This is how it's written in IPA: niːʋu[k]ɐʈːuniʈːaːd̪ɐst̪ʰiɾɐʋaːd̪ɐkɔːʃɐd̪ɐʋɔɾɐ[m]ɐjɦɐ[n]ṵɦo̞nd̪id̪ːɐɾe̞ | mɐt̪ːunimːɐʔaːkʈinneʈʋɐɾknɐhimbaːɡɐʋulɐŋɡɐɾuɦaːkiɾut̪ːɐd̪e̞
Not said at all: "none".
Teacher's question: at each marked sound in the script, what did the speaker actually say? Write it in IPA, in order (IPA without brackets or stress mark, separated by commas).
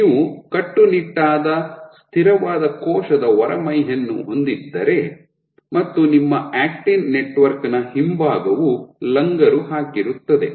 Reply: k, m, nː